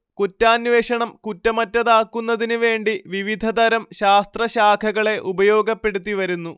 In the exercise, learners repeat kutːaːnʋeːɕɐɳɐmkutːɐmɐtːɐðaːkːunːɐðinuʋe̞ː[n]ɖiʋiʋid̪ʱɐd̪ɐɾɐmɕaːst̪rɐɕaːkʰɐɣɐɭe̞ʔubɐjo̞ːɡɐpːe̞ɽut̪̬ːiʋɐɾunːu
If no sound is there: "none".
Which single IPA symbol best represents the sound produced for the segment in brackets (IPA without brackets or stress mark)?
ɳ